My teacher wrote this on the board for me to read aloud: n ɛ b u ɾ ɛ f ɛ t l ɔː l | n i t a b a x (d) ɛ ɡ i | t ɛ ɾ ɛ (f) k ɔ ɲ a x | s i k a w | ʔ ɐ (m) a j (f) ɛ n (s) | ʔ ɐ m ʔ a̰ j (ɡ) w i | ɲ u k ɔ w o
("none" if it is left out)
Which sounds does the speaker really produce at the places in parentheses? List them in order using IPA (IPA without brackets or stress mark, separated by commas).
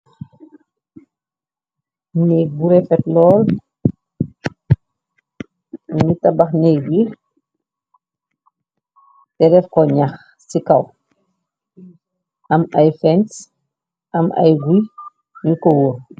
n, f, m, f, s, ɡ